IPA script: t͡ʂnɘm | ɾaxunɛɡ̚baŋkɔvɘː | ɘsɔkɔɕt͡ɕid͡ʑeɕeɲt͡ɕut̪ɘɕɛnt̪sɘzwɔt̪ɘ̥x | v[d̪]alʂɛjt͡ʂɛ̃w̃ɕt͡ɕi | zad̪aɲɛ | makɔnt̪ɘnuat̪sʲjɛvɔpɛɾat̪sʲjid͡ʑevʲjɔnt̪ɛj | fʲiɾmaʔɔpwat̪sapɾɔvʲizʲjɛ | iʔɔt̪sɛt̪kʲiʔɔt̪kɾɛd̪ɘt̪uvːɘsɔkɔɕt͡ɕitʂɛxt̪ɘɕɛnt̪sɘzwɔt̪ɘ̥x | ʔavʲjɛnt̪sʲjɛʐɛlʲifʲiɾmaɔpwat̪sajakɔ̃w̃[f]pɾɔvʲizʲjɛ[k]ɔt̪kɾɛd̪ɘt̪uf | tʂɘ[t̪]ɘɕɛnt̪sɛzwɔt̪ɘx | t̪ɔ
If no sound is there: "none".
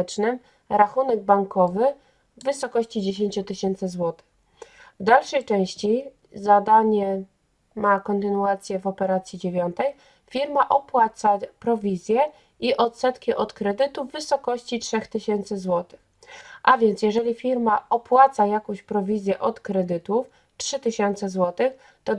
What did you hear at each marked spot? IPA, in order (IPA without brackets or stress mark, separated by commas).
d̪, ɕ, ʔ, t̪